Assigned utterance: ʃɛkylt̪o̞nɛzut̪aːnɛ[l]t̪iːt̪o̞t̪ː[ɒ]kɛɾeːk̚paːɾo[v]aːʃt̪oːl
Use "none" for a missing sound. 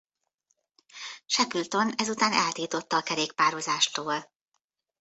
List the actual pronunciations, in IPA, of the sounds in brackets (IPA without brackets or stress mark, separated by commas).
l, ɒː, z